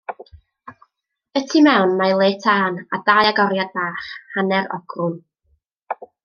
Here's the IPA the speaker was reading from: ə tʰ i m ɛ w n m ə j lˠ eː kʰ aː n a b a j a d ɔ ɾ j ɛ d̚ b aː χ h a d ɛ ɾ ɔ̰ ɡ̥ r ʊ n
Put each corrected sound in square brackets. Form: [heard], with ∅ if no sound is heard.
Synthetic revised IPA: ə tʰ i m ɛ w n m [a] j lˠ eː [tʰ] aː n a [d] a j a [ɡ] ɔ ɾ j [a] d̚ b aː χ h a [n] ɛ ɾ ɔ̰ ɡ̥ r ʊ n